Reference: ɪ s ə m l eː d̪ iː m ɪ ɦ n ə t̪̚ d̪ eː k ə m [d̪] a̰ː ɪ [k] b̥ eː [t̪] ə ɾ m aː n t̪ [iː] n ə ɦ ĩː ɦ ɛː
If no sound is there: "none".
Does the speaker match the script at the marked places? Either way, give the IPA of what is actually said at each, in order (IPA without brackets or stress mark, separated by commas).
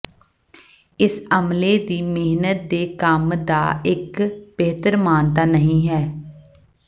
d̪, k, t̪, aː